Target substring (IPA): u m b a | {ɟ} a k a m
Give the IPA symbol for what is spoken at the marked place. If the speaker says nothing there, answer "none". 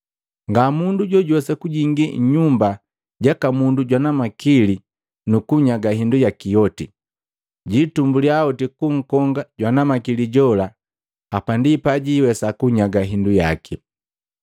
ɟ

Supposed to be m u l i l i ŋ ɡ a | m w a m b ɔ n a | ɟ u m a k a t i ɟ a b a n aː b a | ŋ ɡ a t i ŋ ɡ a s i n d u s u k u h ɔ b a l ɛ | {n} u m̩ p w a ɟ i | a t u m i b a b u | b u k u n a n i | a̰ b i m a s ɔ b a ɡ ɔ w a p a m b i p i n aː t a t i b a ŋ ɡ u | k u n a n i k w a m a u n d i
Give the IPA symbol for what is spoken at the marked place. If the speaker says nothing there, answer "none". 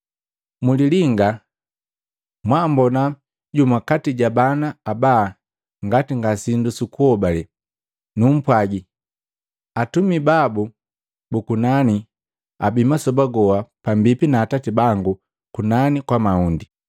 n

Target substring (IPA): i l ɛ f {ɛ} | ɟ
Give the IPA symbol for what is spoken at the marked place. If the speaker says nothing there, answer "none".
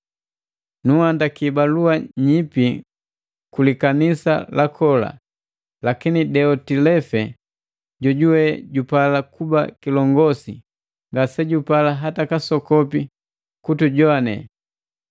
ɛ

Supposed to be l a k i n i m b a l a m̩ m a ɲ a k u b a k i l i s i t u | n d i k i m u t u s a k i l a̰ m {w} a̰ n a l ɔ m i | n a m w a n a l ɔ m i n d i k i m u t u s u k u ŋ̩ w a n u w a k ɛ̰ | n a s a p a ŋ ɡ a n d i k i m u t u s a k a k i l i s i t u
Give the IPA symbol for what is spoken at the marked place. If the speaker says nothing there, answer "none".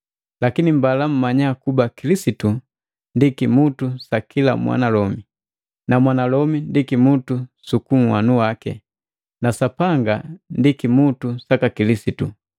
w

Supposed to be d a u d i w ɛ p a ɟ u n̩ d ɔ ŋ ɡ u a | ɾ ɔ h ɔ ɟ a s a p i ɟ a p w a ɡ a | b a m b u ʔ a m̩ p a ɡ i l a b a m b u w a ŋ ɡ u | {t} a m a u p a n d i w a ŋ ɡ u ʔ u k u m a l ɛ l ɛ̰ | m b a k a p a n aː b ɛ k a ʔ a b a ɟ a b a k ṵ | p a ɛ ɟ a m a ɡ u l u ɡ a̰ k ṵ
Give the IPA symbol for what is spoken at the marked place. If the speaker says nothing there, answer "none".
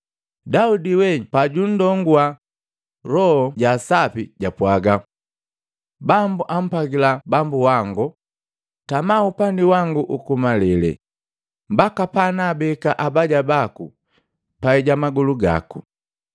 t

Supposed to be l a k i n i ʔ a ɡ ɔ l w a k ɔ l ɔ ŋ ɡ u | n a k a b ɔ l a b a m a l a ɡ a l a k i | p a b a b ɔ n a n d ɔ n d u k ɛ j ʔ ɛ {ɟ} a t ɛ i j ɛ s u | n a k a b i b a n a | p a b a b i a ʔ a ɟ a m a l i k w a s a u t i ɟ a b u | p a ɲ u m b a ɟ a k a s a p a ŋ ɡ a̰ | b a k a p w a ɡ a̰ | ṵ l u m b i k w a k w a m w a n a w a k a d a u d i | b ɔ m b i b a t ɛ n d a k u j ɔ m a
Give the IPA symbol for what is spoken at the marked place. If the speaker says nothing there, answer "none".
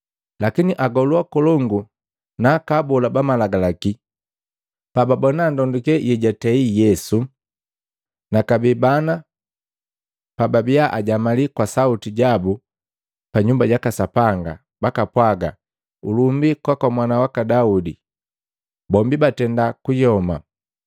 ɟ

